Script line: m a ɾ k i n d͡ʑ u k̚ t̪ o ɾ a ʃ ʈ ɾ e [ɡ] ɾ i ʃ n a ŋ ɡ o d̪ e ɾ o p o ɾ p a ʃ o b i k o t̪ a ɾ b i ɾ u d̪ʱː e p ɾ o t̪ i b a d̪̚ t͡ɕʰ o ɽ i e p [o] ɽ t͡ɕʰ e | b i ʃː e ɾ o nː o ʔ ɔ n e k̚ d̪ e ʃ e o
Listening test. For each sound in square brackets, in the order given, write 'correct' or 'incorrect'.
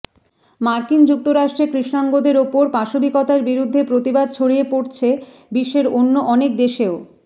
incorrect, correct

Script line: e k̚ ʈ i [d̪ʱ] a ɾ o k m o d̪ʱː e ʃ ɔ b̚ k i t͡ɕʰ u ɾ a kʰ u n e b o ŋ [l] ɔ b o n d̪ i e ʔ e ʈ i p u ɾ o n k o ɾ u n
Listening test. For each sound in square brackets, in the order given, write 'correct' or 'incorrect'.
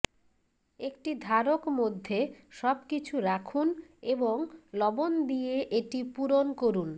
correct, correct

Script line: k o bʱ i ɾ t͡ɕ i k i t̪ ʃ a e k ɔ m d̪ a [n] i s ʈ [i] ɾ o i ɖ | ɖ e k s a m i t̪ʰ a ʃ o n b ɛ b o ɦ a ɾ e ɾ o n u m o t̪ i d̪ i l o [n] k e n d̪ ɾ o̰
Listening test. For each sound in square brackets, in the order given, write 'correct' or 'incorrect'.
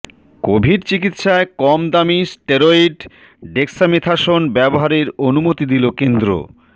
incorrect, incorrect, incorrect

